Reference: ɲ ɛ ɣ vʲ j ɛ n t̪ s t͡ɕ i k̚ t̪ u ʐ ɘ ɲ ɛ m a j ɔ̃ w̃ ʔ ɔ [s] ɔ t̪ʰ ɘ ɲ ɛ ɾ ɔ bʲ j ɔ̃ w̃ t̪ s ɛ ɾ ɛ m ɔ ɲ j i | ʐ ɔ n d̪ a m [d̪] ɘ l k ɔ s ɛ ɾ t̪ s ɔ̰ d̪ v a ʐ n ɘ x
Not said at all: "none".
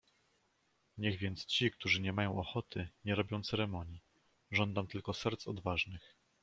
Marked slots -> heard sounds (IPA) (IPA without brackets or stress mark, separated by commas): x, t̪